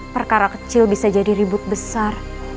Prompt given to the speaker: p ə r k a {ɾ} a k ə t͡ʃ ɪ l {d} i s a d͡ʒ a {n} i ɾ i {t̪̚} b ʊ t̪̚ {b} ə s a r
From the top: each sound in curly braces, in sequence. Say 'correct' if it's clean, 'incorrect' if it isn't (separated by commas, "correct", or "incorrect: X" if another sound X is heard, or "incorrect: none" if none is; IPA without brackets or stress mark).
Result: correct, incorrect: b, incorrect: d, incorrect: none, correct